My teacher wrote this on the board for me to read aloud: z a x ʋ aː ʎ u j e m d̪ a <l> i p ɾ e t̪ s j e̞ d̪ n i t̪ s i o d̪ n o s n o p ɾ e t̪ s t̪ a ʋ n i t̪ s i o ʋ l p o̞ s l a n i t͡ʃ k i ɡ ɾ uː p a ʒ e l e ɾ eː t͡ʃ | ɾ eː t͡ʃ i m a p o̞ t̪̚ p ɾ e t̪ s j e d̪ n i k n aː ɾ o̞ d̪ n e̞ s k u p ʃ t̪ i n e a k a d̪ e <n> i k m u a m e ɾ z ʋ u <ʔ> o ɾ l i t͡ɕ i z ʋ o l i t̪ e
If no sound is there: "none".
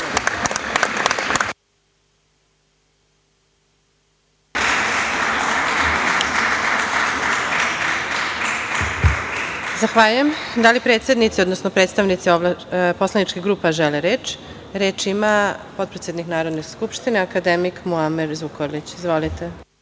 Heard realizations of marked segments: l, m, k

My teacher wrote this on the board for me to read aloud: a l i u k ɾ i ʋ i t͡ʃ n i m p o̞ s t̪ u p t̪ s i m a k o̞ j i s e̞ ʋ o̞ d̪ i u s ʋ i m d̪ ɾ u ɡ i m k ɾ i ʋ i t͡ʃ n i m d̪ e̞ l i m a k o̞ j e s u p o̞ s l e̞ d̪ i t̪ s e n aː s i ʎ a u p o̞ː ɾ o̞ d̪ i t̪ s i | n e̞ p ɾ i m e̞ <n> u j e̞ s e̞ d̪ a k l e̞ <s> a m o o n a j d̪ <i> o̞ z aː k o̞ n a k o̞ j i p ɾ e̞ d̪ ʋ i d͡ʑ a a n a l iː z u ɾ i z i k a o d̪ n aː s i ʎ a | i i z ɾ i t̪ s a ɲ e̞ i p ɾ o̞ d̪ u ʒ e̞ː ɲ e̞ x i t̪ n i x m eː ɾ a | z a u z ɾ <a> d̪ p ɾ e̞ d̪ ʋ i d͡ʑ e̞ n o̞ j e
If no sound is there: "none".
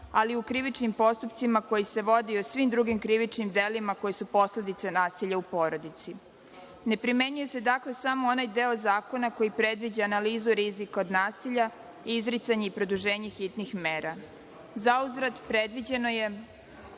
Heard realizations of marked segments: ɲ, s, e, a

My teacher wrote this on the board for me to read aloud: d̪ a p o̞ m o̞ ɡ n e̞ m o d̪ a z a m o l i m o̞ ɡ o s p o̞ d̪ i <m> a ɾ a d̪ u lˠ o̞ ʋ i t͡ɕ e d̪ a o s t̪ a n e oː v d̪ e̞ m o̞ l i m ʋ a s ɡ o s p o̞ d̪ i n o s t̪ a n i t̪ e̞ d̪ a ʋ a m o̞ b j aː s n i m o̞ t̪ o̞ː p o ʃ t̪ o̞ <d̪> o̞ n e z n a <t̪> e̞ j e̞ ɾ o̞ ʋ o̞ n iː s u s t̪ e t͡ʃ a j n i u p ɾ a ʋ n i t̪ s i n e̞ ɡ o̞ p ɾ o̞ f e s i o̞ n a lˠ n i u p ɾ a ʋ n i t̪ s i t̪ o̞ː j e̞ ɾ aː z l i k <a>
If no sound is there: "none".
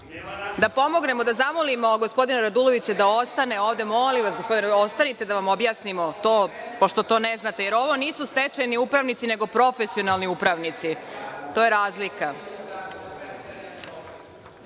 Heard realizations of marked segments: n, t̪, t̪, a

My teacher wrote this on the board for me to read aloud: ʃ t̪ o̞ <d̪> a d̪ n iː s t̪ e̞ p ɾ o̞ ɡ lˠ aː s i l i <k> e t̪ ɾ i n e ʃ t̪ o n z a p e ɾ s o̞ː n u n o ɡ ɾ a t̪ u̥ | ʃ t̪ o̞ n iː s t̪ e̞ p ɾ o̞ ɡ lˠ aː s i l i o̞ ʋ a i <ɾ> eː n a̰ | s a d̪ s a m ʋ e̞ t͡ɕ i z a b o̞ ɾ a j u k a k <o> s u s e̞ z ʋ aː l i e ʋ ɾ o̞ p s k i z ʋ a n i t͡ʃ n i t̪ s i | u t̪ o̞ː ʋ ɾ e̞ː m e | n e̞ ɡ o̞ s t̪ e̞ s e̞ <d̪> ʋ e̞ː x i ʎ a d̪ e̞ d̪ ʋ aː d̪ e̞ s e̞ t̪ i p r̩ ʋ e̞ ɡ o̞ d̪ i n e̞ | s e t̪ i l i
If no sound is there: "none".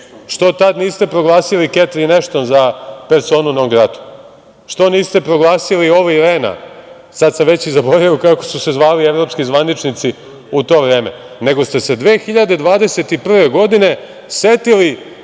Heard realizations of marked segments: t̪, k, ɾ, o, d̪

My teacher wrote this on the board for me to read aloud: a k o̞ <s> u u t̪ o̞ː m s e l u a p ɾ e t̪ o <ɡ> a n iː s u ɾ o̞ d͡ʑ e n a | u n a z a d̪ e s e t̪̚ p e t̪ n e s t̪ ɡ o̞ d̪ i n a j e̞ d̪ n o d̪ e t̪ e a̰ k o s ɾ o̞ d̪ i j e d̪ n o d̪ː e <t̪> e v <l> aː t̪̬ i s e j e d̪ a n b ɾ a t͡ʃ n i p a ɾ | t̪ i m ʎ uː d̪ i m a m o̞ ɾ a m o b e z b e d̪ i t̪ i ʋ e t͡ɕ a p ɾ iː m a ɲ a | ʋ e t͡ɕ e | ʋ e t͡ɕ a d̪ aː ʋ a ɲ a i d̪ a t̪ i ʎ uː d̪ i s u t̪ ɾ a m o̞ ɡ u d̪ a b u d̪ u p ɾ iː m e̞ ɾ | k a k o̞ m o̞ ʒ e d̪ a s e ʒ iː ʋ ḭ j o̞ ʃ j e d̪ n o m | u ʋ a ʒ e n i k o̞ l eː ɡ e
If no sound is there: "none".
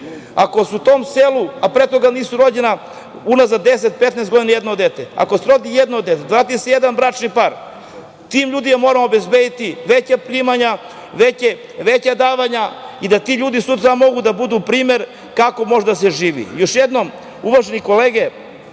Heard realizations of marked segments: s, ɡ, t̪, ɾ

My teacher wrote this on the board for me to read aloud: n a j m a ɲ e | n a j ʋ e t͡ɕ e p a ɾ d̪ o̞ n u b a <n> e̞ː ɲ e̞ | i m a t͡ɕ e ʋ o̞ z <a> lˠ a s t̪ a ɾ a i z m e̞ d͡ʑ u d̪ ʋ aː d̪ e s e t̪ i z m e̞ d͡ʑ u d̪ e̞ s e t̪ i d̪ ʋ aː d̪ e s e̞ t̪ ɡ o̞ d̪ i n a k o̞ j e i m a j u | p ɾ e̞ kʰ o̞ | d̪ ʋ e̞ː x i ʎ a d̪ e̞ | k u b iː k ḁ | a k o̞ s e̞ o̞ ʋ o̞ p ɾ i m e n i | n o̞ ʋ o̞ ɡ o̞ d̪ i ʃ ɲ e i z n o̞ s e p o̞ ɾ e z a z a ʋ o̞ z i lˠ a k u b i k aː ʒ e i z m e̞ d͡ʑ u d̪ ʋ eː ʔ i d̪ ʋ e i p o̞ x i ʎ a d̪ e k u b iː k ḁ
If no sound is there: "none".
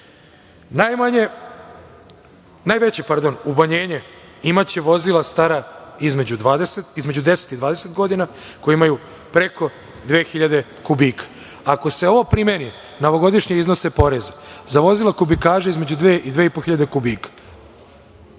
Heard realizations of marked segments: ɲ, i

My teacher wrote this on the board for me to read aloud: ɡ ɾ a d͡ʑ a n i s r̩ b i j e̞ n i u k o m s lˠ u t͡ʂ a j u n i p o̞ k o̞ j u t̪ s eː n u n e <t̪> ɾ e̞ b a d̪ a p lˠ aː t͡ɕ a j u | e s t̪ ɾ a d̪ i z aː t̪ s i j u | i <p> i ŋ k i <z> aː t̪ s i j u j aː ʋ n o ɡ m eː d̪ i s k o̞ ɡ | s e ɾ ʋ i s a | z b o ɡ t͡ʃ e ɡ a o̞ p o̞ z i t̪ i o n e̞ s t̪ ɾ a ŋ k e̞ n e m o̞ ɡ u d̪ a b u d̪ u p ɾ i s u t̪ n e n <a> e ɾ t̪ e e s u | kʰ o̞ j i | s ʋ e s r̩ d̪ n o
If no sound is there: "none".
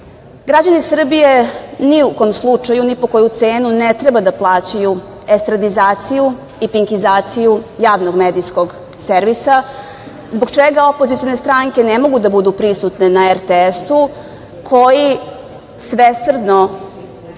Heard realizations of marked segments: t̪, p, z, a

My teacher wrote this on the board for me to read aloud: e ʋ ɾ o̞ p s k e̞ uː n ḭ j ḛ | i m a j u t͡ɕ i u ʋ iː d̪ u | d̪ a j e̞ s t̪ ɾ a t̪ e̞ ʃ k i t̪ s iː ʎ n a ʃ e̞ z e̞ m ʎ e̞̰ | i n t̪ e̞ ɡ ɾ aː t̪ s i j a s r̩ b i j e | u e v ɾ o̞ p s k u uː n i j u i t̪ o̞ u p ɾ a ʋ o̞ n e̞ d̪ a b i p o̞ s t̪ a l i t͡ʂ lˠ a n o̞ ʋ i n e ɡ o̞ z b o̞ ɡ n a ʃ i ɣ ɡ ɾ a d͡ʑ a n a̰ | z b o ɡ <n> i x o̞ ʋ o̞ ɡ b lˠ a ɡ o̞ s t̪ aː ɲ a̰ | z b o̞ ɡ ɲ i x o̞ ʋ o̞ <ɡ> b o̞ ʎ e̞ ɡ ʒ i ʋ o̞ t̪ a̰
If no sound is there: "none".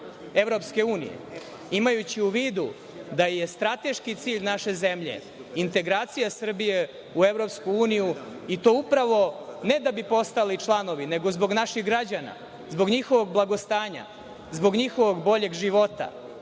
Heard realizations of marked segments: ɲ, ɡ

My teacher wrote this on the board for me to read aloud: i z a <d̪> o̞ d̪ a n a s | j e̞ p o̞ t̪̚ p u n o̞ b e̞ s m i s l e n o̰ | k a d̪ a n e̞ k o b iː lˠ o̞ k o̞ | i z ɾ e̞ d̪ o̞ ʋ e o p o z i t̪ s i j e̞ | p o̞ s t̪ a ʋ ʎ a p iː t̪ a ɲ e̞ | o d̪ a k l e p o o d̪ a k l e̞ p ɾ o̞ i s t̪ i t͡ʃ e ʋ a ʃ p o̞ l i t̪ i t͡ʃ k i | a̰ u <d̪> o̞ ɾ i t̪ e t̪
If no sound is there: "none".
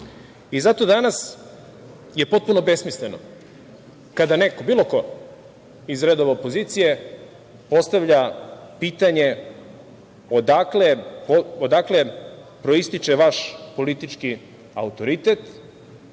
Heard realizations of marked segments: t̪, t̪

